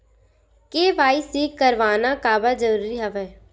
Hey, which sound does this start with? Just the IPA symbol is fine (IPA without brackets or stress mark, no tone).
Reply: k